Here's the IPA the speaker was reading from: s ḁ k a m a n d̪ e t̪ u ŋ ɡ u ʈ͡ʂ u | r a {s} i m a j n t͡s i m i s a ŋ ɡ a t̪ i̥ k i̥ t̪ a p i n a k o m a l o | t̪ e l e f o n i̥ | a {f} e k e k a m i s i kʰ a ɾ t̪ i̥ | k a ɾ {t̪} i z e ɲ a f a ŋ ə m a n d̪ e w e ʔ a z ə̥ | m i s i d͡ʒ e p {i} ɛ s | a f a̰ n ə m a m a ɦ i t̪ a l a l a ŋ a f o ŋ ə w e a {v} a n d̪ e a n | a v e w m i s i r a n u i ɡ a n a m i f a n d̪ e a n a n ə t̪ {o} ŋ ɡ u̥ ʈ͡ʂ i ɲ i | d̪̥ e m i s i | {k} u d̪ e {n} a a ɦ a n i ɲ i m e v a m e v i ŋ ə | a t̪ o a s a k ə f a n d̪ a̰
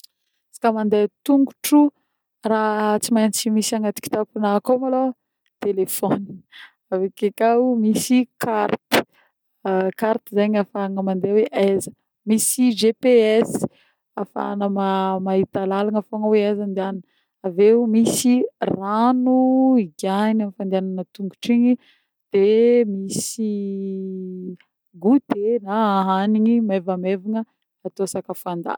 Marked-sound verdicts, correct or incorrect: incorrect: t͡s, incorrect: v, correct, incorrect: e, incorrect: z, incorrect: u, incorrect: ɡ, correct

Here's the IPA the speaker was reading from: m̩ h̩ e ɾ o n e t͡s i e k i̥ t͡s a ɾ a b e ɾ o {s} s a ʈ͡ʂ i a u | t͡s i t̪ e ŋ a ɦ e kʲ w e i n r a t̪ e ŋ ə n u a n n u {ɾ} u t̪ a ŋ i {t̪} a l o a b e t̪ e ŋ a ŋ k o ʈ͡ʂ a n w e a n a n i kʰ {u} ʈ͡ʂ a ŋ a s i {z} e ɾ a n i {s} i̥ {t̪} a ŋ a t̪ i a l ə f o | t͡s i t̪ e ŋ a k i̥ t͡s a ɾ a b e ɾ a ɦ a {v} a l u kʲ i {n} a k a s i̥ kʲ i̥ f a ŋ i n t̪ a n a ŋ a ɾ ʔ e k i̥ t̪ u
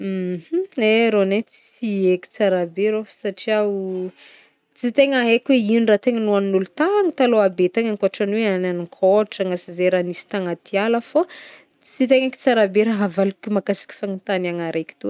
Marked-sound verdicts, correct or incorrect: incorrect: f, incorrect: l, correct, incorrect: o, correct, correct, correct, correct, incorrect: m

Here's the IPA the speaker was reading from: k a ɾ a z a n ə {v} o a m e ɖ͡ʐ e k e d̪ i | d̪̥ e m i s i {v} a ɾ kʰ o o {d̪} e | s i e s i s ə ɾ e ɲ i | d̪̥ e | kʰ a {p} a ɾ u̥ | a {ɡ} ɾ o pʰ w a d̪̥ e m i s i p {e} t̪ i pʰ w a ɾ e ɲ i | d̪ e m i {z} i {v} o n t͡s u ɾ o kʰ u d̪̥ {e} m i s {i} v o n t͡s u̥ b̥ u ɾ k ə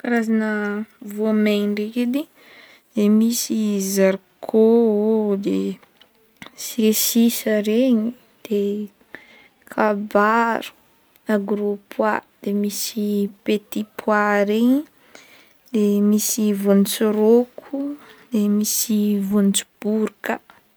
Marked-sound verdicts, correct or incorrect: correct, incorrect: z, correct, incorrect: b, correct, correct, incorrect: s, correct, correct, correct

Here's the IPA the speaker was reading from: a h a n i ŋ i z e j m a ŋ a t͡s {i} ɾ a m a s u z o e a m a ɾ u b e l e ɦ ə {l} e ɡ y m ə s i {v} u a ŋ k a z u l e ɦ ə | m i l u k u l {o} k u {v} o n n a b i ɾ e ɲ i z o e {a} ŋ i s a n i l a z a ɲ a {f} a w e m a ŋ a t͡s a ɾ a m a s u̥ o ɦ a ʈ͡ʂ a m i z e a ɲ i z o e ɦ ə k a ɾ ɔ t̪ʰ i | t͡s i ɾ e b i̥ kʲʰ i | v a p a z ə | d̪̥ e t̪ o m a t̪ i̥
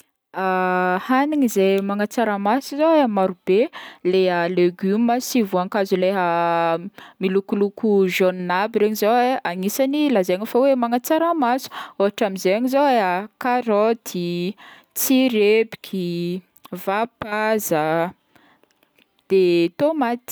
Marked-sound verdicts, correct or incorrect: incorrect: a, correct, correct, incorrect: u, incorrect: ʒ, correct, correct

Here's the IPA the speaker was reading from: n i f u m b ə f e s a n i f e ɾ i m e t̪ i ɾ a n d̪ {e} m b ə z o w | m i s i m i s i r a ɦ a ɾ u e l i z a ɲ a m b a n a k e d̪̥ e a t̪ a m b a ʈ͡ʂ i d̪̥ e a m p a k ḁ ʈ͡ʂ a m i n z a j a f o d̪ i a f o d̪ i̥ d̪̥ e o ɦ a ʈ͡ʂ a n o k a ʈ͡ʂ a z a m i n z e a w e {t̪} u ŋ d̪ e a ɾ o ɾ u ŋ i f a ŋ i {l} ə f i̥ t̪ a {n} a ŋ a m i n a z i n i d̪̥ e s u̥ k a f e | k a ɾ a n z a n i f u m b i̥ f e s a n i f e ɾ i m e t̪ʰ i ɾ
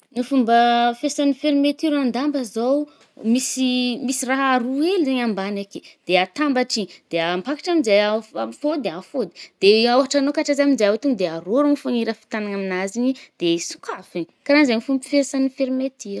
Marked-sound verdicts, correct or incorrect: incorrect: a, correct, incorrect: ɾ, correct

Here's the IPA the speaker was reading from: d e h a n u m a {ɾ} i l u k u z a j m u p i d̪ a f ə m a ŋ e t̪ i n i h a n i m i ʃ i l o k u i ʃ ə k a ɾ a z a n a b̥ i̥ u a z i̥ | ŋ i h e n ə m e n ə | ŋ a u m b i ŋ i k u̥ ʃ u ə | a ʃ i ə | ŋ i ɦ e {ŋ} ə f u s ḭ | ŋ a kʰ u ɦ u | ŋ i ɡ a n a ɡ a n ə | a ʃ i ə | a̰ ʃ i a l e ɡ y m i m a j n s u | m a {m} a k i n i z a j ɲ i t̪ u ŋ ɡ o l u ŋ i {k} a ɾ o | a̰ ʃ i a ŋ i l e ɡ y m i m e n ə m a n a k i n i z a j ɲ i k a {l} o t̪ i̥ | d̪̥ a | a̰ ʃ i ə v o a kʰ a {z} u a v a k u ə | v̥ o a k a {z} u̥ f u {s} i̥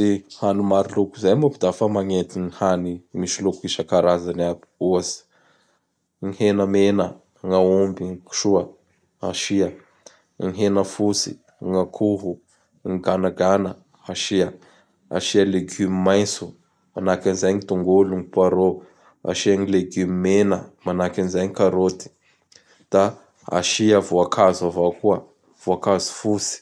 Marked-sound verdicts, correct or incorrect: correct, incorrect: n, incorrect: n, incorrect: p, incorrect: ɾ, correct, correct, correct

